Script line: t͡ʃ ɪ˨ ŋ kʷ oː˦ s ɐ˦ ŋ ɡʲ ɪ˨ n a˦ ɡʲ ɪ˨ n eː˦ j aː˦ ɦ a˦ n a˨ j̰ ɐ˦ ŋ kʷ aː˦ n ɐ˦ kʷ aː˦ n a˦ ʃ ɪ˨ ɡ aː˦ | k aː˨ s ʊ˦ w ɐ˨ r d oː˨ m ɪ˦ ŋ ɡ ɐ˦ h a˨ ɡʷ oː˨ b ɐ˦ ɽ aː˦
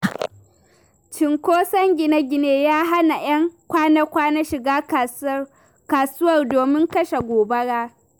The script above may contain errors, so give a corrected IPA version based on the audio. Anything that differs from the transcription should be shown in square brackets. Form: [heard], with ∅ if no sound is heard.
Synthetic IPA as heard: t͡ʃ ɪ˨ ŋ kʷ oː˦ s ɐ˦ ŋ ɡʲ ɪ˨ n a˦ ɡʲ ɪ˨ n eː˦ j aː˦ ɦ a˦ n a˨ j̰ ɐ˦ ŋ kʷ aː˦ n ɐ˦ kʷ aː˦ n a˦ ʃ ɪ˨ ɡ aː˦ | k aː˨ s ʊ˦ w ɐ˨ r d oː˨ m ɪ˦ ŋ [k] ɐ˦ [ʃ] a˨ ɡʷ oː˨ b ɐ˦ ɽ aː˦

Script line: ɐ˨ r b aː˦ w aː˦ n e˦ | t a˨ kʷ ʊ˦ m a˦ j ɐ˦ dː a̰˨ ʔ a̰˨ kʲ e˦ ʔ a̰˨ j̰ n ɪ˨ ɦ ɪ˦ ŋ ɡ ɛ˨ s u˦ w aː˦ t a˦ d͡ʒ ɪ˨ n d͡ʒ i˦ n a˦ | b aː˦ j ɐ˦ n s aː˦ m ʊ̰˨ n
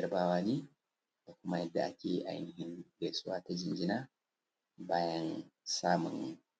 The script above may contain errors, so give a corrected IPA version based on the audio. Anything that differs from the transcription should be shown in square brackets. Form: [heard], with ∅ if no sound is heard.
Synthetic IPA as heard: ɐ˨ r b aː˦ w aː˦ n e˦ | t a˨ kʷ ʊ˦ m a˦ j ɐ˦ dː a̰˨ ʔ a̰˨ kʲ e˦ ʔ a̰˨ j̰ n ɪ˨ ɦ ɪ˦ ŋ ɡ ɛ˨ s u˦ w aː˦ t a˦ d͡ʒ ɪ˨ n d͡ʒ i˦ n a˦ | b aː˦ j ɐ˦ n s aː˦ m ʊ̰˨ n

